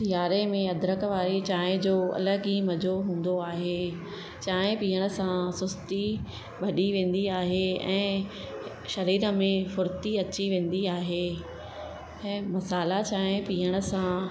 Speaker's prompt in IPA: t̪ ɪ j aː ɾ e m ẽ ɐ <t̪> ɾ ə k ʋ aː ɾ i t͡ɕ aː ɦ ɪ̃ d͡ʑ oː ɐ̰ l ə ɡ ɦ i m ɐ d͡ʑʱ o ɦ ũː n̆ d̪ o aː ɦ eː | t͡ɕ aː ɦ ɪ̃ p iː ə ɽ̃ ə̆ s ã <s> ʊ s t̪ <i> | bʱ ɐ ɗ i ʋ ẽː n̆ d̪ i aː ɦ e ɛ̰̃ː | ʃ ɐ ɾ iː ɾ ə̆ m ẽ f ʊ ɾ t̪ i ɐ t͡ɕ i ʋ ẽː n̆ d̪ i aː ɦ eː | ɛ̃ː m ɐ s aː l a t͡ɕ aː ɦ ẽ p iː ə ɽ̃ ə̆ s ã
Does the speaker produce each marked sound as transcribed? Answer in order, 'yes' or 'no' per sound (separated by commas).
no, yes, yes